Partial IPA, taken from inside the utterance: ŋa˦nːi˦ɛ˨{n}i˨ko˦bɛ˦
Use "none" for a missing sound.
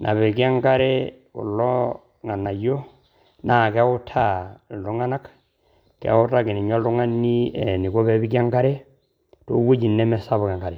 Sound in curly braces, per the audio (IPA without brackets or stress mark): n